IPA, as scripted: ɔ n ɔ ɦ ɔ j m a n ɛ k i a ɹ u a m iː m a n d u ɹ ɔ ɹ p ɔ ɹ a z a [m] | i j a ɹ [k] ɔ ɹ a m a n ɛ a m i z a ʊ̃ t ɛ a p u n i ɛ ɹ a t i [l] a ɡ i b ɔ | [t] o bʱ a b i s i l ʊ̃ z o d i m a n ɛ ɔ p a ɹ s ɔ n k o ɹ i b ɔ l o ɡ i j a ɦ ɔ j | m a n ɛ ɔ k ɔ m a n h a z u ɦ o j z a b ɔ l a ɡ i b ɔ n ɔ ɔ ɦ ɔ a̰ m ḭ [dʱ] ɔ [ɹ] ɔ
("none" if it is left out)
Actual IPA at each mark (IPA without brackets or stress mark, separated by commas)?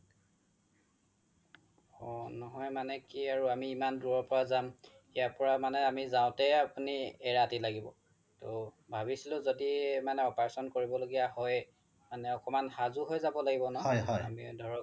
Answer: m, p, l, t, dʱ, ɹ